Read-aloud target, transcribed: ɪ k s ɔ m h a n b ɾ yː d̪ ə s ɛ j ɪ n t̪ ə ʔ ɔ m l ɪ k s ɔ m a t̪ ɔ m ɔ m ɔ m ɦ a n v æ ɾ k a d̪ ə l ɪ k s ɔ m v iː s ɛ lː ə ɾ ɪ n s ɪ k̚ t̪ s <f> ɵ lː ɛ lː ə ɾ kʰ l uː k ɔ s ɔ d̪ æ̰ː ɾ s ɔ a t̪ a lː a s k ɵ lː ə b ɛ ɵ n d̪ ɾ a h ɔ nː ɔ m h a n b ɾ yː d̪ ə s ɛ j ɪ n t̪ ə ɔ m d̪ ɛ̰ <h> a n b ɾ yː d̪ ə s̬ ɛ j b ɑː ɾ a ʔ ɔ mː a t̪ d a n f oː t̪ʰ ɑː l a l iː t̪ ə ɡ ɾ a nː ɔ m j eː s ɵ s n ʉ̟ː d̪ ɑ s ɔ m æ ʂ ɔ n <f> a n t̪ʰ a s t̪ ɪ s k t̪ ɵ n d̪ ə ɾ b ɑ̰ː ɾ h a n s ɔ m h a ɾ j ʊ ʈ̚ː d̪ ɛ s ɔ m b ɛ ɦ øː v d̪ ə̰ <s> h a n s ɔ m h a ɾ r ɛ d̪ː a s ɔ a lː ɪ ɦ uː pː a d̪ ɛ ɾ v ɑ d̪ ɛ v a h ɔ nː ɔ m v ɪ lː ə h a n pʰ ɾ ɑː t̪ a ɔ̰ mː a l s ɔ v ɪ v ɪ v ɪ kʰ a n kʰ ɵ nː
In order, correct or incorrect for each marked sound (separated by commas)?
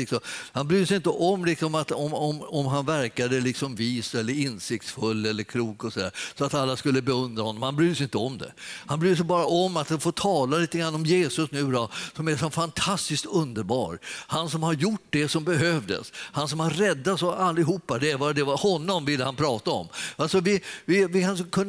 correct, correct, correct, correct